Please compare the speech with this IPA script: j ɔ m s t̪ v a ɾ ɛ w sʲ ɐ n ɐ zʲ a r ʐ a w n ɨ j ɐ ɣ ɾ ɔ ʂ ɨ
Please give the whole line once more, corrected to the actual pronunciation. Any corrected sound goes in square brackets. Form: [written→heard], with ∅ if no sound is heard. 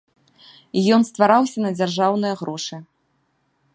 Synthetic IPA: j ɔ [m→n] s t̪ v a ɾ [ɛ→a] w sʲ ɐ n ɐ [zʲ→d͡zʲ] a r ʐ a w n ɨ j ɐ ɣ ɾ ɔ ʂ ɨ